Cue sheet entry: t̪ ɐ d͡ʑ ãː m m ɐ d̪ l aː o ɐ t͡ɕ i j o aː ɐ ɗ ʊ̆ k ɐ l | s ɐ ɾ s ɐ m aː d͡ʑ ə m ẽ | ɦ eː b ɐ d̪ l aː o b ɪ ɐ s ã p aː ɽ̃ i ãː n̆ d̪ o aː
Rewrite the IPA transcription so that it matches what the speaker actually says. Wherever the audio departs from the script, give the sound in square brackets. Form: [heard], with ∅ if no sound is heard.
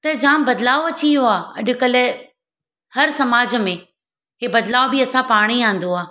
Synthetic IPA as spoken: t̪ ɐ d͡ʑ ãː m [b] ɐ d̪ l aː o ɐ t͡ɕ i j o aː ɐ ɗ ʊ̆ k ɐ l | [h] ɐ ɾ s ɐ m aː d͡ʑ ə m ẽ | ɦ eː b ɐ d̪ l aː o b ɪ ɐ s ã p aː ɽ̃ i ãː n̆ d̪ o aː